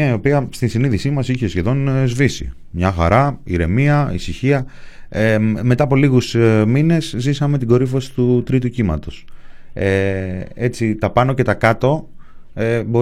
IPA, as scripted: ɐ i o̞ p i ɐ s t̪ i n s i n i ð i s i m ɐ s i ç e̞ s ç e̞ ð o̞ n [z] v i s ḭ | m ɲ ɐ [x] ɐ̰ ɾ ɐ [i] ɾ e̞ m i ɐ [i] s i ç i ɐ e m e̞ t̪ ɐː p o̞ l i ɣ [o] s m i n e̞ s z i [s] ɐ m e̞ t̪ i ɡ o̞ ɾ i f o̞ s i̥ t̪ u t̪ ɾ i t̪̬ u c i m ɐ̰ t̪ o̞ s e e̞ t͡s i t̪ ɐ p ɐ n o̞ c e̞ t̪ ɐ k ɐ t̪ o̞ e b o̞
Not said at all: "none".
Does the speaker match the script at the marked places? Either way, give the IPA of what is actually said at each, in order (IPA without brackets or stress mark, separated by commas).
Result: z, x, i, i, u, s